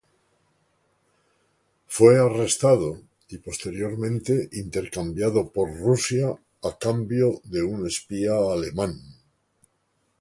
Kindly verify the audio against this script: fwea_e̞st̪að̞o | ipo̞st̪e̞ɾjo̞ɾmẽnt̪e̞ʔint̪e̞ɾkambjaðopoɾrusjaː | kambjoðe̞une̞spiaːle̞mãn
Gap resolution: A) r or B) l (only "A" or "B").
A